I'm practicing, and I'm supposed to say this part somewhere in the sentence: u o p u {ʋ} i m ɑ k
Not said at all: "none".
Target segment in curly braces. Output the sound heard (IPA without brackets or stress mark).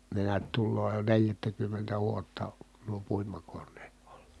none